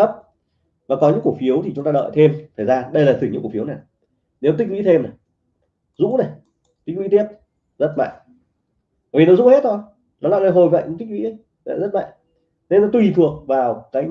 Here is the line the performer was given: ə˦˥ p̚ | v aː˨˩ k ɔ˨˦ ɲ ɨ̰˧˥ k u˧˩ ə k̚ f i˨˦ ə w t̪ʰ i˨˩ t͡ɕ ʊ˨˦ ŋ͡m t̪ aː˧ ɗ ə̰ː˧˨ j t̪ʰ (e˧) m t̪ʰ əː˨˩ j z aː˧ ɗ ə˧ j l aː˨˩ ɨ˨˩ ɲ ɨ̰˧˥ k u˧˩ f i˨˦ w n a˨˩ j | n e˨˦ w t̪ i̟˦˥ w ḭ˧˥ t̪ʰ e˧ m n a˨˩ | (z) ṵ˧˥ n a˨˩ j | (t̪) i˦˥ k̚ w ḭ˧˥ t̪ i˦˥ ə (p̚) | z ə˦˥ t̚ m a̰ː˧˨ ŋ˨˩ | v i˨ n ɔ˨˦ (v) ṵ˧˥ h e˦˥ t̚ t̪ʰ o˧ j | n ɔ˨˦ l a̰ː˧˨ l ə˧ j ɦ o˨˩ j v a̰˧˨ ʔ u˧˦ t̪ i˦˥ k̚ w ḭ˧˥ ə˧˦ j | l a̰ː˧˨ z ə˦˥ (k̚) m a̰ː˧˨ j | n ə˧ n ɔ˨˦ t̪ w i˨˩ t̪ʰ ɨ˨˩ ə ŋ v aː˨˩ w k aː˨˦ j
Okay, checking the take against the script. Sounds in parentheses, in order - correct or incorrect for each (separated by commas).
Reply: correct, correct, correct, incorrect, incorrect, incorrect